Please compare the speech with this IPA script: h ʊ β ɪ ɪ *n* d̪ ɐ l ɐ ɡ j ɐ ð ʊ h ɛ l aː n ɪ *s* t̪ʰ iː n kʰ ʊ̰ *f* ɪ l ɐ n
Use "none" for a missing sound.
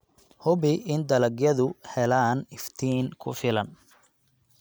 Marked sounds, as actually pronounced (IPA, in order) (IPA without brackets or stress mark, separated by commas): n, f, f